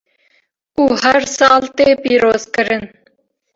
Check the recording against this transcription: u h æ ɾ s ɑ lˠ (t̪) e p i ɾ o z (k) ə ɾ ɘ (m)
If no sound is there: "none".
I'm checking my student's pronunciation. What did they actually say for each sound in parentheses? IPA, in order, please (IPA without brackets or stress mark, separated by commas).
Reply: t̪, k, n